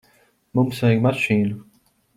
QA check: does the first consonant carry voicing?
yes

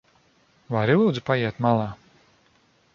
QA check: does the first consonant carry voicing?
yes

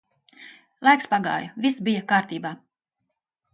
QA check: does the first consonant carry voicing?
yes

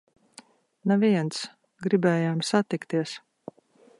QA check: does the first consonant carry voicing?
yes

